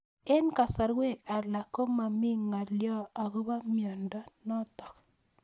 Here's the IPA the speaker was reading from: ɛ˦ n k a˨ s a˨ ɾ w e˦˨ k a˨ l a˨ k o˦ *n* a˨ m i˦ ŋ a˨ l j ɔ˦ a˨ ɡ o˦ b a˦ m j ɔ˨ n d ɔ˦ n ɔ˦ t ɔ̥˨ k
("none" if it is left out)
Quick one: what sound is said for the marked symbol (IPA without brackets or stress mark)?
m